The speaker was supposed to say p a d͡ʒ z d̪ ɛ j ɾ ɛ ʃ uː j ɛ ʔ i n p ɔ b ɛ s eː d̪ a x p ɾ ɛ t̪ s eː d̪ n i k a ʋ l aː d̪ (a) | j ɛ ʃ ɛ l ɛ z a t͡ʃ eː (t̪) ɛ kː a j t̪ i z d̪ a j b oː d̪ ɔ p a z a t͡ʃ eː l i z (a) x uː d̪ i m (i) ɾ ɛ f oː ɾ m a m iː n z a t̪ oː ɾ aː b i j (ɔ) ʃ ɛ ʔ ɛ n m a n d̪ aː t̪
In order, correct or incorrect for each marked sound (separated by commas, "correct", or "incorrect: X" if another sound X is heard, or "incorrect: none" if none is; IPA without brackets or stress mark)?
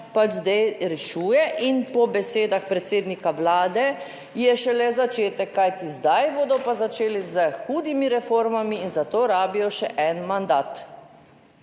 incorrect: ɛ, correct, incorrect: ə, correct, correct